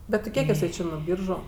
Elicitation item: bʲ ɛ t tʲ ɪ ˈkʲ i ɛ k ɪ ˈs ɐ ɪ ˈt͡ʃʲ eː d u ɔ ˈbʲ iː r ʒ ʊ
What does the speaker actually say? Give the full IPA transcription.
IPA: bʲ ɛ t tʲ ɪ ˈkʲ i ɛ k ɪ ˈs ɐ ɪ ˈt͡ʃʲ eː n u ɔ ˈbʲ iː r ʒ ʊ